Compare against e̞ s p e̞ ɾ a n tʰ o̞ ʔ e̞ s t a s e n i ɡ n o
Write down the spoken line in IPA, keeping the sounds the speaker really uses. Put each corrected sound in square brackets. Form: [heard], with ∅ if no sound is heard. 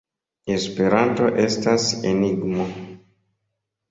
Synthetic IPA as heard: e̞ s p e̞ ɾ a n [t] o̞ ʔ e̞ s t a s e n i ɡ [m] o